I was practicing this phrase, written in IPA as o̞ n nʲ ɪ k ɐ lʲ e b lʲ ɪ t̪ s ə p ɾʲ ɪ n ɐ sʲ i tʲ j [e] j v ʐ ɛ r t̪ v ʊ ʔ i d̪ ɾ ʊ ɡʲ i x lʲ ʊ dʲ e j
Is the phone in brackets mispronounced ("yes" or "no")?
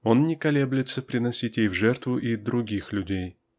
no